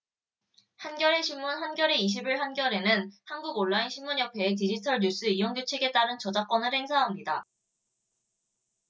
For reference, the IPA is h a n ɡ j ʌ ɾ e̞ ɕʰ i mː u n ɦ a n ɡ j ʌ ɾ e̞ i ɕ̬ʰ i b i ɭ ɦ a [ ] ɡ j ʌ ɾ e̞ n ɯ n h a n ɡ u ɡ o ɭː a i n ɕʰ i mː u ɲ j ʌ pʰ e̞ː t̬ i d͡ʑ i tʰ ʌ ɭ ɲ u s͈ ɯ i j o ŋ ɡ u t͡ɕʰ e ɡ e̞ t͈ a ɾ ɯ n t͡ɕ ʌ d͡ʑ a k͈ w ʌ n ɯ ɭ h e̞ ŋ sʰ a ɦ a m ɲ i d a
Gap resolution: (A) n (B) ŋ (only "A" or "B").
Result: A